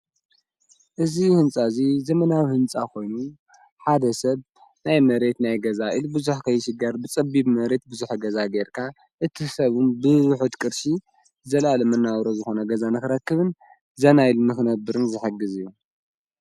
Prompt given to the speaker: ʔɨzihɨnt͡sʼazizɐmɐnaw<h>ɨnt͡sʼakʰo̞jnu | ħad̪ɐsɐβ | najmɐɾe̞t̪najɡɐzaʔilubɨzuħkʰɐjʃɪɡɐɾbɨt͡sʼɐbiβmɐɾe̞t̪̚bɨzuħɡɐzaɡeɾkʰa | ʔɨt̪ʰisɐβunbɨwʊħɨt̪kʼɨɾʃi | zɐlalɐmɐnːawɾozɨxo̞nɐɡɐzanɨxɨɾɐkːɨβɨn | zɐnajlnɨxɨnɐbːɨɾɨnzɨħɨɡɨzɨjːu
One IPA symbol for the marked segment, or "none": h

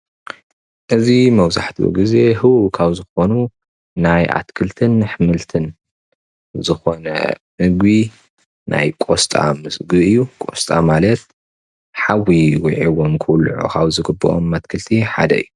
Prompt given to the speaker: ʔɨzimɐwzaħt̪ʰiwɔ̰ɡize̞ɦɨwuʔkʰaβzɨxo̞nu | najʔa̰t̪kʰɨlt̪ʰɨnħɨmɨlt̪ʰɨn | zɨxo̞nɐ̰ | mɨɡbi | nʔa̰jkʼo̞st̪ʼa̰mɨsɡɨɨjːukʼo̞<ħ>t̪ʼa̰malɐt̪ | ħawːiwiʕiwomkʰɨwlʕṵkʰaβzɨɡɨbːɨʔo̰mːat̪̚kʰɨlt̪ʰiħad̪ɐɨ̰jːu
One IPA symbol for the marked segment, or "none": s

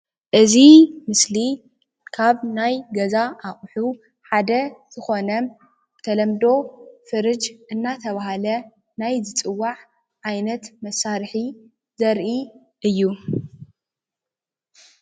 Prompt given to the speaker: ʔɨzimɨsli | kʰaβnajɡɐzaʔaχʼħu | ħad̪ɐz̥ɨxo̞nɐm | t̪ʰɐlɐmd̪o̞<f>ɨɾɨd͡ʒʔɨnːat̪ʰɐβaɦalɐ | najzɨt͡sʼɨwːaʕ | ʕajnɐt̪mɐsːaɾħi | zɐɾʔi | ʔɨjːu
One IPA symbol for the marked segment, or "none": f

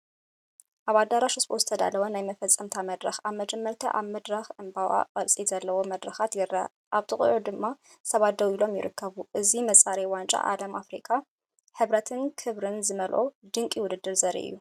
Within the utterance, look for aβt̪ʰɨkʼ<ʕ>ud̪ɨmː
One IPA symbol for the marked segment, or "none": ʕ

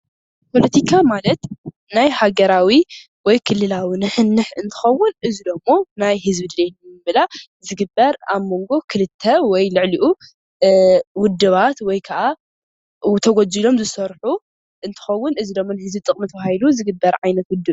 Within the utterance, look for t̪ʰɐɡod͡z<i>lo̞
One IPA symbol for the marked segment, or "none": i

